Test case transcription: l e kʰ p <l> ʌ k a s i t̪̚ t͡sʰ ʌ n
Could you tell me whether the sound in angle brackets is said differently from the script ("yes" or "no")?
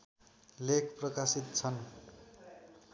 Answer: yes